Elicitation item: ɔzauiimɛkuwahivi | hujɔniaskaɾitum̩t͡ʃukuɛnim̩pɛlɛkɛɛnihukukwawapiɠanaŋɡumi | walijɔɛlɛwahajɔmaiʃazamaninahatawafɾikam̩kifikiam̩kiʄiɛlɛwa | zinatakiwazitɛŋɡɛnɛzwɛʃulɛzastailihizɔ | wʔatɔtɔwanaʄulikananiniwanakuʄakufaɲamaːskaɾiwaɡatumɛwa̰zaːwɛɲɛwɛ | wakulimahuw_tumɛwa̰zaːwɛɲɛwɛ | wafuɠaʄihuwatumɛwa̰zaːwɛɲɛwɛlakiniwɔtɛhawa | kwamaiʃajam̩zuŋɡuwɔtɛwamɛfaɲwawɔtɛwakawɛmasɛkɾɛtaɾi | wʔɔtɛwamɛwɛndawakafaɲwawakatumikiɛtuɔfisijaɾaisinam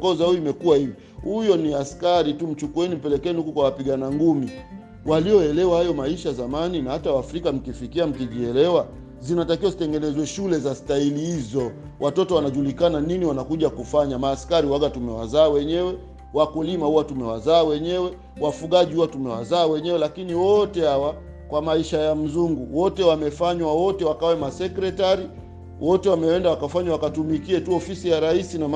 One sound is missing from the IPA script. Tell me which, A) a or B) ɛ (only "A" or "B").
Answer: A